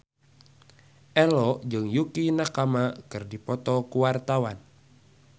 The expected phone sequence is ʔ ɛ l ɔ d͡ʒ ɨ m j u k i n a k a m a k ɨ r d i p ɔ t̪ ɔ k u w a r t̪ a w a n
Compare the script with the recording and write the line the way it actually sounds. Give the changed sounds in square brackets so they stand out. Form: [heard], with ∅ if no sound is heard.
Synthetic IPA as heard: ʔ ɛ l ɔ d͡ʒ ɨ [ŋ] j u k i n a k a m a k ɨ r d i p ɔ t̪ ɔ k u w a r t̪ a w a n